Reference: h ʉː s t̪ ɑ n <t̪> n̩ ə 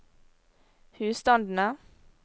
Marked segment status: incorrect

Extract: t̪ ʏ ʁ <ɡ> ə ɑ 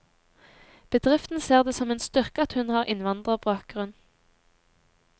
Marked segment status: incorrect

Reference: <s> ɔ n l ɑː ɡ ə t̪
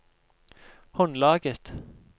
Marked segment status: incorrect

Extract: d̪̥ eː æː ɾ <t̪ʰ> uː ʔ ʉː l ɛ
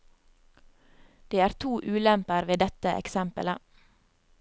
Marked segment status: correct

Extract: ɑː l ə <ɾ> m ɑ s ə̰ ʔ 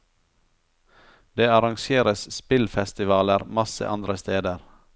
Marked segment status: correct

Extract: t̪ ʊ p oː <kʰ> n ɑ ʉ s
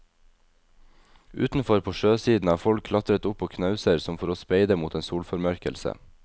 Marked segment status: correct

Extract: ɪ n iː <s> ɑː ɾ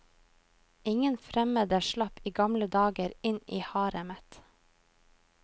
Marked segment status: incorrect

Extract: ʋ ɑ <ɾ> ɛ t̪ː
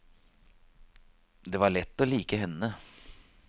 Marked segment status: incorrect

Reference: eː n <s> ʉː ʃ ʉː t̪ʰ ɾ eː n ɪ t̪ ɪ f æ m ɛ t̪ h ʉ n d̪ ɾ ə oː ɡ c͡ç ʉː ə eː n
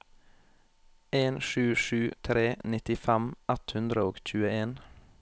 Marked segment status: incorrect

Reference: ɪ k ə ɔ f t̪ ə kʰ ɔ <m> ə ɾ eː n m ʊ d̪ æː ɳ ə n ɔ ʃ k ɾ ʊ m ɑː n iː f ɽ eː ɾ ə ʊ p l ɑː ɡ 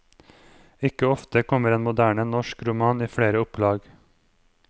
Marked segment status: correct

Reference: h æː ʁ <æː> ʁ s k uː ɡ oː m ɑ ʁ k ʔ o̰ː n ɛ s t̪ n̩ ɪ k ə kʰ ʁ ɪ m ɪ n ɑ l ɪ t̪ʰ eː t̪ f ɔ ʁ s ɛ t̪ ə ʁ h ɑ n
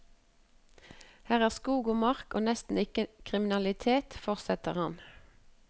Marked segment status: correct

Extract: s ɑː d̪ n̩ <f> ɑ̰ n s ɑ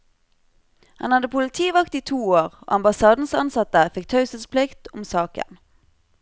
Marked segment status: incorrect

